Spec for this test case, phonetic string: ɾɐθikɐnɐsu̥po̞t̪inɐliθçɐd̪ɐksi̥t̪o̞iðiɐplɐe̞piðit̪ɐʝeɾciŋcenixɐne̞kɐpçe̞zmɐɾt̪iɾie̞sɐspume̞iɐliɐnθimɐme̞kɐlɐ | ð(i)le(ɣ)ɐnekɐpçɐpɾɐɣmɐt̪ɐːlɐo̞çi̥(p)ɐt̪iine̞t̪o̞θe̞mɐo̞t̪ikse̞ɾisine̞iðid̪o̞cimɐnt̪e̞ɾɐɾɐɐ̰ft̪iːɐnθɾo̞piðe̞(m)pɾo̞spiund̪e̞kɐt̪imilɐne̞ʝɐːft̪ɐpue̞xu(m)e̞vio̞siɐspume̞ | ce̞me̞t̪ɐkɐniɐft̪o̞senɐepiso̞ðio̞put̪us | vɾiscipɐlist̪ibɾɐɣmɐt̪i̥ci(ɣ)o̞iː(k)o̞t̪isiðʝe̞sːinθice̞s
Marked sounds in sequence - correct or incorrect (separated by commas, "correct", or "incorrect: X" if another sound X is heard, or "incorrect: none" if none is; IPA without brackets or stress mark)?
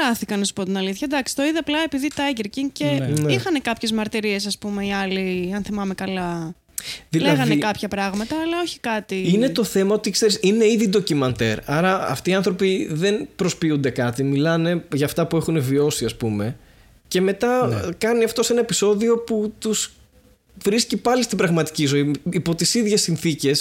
correct, correct, incorrect: k, incorrect: n, incorrect: n, incorrect: z, incorrect: p